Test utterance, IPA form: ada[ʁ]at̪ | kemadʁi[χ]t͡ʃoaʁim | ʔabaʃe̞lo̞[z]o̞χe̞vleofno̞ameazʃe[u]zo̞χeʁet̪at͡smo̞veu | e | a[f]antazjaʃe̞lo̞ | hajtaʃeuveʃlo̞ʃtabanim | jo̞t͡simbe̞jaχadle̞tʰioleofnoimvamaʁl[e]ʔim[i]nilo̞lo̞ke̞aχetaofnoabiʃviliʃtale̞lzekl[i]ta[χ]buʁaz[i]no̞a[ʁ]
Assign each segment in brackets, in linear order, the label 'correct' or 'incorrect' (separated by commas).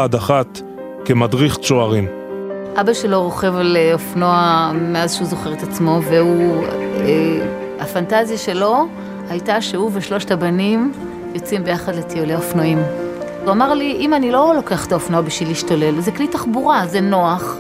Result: incorrect, correct, incorrect, correct, correct, incorrect, incorrect, correct, correct, incorrect, incorrect